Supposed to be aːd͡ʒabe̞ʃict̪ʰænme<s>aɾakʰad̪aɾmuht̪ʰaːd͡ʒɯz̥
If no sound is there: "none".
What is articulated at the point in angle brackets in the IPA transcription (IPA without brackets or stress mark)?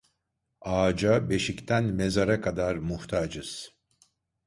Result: z